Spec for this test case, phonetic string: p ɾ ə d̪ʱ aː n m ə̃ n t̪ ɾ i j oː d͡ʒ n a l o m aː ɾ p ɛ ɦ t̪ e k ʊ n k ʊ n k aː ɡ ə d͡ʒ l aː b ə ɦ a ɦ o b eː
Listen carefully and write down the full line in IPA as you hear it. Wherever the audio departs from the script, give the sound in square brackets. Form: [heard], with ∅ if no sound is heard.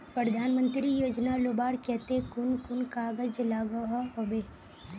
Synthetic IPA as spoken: p ɾ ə d̪ʱ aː n m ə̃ n t̪ ɾ i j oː d͡ʒ n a l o [b] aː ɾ [k] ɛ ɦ t̪ e k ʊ n k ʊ n k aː ɡ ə d͡ʒ l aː [ɡ] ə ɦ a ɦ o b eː